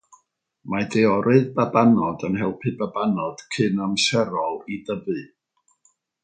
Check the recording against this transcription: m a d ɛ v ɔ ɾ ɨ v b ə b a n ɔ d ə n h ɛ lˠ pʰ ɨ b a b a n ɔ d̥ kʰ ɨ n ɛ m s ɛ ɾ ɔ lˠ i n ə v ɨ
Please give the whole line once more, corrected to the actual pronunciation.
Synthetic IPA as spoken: m a d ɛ ɔ ɾ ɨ ð b a b a n ɔ d ə n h ɛ lˠ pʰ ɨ b a b a n ɔ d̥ kʰ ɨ n a m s ɛ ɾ ɔ lˠ i d ə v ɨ

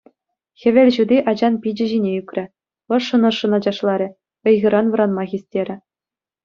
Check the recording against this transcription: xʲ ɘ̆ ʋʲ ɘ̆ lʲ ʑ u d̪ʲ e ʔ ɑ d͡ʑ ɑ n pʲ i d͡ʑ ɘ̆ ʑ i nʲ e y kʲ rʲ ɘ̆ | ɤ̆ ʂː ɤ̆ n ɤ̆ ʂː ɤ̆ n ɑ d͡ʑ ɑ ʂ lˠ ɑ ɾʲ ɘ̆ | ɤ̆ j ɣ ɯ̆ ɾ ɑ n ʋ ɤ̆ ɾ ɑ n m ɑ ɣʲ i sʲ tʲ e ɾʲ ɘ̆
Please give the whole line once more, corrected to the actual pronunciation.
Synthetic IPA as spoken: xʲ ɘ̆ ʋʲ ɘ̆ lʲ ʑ u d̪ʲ i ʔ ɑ d͡ʑ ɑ n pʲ i d͡ʑ ɘ̆ ʑ i nʲ e y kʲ rʲ ɘ̆ | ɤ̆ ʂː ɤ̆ n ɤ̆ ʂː ɤ̆ n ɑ d͡ʑ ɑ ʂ lˠ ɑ ɾʲ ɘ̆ | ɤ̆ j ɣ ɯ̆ ɾ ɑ n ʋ ɤ̆ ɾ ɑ n m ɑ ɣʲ i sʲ tʲ e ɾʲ ɘ̆

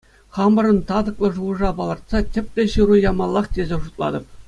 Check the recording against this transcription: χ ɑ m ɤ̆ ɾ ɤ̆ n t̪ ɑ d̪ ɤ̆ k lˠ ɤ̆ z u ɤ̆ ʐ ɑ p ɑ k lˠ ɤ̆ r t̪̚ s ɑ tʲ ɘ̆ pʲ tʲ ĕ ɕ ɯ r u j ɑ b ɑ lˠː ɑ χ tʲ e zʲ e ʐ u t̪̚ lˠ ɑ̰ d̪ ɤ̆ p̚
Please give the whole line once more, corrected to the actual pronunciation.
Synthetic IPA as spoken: χ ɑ m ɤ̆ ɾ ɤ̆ n t̪ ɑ d̪ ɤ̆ k lˠ ɤ̆ ʐ u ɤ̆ ʐ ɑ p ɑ lˠ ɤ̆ r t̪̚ s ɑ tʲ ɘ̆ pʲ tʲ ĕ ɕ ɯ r u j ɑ m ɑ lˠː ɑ χ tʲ e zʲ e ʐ u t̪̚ lˠ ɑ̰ d̪ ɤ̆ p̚

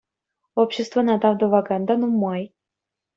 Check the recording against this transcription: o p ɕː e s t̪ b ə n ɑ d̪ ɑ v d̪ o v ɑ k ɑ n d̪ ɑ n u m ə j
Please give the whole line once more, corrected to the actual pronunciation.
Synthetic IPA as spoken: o p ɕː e s t̪ v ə n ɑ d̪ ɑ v d̪ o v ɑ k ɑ n d̪ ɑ n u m ɑ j

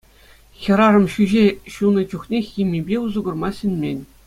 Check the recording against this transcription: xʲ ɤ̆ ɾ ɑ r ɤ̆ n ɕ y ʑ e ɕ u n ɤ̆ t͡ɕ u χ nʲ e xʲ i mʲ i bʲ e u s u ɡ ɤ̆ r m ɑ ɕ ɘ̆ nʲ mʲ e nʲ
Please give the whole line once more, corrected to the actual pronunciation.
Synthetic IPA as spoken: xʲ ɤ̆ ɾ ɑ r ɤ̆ m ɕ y ʑ e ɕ u n ɤ̆ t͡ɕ u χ nʲ e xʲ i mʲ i bʲ e u z u ɡ ɤ̆ r m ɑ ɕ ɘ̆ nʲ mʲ e nʲ

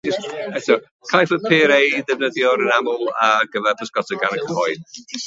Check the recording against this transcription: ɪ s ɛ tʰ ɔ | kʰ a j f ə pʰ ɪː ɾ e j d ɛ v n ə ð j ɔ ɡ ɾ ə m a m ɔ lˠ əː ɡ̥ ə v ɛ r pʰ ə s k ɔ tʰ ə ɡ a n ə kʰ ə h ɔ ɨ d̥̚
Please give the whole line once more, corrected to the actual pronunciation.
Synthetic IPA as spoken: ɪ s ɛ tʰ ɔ | kʰ a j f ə pʰ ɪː ɾ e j d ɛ v n ə ð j ɔ ɾ ə n a m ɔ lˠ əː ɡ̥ ə v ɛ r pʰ ə s k ɔ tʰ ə ɡ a n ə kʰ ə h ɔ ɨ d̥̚

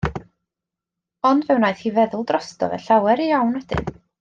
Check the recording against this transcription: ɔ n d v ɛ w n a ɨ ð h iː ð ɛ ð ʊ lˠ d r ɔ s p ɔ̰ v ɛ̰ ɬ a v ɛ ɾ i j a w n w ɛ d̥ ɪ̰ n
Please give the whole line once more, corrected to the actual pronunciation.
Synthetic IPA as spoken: ɔ n d v ɛ w n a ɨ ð h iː v ɛ ð ʊ lˠ d r ɔ s t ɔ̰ v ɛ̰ ɬ a w ɛ ɾ i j a w n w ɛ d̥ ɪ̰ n

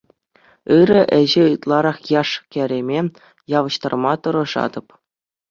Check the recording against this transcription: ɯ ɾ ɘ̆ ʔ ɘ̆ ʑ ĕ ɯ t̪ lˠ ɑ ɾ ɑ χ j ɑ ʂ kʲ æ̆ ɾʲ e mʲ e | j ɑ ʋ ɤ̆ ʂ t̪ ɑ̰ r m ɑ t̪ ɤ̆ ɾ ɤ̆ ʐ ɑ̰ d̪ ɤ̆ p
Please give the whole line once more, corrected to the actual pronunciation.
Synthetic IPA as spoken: ɯ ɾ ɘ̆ ʔ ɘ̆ ʑ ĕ ɯ t̪ lˠ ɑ ɾ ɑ χ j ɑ ʂ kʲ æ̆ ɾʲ e mʲ e | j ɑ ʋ ɤ̆ ɕ t̪ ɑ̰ r m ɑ t̪ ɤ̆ ɾ ɤ̆ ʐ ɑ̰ d̪ ɤ̆ p

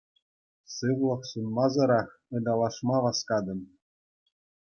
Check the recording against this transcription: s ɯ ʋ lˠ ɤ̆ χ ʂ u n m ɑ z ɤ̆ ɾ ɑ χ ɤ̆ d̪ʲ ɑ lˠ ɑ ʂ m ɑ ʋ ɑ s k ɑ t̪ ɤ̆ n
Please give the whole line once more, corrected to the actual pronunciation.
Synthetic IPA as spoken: s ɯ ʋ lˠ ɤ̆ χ s u n m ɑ z ɤ̆ ɾ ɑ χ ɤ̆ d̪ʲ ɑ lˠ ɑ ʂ m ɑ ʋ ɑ s k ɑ d̪ ɤ̆ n

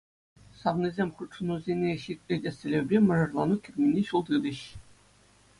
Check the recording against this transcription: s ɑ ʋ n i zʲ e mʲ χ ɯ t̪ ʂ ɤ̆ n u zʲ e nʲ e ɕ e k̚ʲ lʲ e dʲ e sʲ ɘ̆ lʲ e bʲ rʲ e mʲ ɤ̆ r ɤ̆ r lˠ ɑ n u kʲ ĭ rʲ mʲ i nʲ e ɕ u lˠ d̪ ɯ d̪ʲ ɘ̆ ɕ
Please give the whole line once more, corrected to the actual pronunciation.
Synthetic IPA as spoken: s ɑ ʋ n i zʲ e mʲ χ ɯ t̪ ʂ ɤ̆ n u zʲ e nʲ e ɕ i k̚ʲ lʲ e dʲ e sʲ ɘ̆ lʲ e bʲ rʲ e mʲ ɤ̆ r ɤ̆ r lˠ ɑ n u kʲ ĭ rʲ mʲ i nʲ e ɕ u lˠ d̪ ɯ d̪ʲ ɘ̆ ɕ

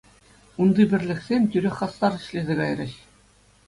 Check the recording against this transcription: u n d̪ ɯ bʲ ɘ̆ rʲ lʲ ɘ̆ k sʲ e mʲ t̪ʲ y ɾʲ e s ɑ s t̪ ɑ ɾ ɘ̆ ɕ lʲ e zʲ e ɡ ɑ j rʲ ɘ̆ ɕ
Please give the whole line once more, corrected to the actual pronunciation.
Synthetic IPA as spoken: u n d̪ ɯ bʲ ɘ̆ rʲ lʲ ɘ̆ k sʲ e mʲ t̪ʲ y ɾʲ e χ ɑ s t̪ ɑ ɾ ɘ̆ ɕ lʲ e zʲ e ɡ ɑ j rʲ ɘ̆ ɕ

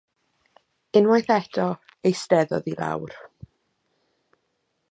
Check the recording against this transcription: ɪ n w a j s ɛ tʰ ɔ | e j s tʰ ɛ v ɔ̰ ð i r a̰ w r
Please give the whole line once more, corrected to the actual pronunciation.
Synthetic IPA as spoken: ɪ n w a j θ ɛ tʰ ɔ | e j s t ɛ ð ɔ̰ ð i l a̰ w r

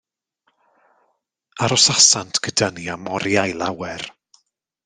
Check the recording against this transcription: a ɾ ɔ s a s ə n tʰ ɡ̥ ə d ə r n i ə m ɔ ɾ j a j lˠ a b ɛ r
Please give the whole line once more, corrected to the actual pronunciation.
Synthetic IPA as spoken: a ɾ ɔ s a s a n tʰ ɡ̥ ə d ə n i a m ɔ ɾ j a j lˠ a w ɛ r

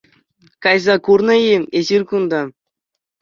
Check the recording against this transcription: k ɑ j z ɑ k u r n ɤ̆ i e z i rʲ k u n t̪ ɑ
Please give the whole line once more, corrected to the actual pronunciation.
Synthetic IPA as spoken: k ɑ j z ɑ k u r n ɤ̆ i e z i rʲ k u n d̪ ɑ

